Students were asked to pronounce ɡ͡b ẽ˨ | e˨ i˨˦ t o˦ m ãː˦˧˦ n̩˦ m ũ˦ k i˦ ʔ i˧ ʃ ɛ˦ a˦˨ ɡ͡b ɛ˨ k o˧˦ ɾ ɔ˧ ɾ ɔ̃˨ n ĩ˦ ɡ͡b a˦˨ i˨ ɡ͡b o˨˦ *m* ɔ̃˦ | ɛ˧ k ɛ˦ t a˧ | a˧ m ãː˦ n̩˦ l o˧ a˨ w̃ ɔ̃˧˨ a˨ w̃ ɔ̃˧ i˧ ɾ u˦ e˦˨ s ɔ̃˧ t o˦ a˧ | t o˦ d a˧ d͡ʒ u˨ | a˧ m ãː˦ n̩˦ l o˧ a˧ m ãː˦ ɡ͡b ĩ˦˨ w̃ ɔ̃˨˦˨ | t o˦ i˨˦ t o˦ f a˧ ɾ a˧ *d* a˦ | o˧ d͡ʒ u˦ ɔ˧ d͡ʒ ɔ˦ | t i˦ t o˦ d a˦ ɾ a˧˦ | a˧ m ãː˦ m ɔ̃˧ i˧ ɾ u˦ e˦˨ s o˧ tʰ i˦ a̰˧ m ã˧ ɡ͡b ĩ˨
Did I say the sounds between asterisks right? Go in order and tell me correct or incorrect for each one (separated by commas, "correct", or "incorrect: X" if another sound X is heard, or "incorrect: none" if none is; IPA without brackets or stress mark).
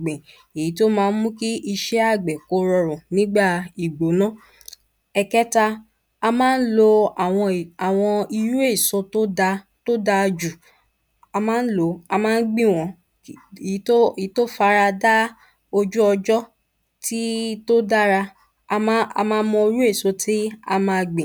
incorrect: n, correct